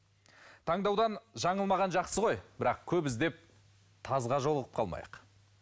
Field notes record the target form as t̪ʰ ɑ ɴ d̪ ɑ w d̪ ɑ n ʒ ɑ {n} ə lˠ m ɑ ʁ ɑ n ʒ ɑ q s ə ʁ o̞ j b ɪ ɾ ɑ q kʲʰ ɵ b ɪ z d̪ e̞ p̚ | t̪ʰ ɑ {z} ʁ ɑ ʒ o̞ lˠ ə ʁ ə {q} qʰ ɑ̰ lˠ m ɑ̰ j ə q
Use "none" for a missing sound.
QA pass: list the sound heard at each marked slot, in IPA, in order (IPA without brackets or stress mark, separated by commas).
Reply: ɴ, z, p